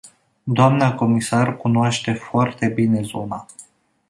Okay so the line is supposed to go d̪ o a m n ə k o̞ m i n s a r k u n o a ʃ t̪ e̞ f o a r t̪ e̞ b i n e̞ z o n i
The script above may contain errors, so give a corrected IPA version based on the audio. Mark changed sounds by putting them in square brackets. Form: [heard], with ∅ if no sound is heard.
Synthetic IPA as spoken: d̪ o a m n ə k o̞ m i [∅] s a r k u n o a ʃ t̪ e̞ f o a r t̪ e̞ b i n e̞ z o n [a]